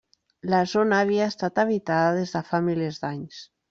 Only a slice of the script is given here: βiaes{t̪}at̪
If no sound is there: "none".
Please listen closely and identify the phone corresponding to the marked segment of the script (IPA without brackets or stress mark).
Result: t̪